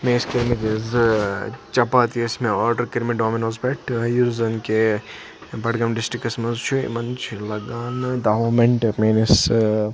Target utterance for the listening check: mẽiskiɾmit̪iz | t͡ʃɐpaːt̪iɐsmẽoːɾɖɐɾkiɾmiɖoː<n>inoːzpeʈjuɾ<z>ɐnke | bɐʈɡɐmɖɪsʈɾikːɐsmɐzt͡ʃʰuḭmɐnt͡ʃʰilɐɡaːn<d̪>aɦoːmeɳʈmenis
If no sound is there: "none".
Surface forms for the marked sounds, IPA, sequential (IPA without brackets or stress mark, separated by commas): m, z, d̪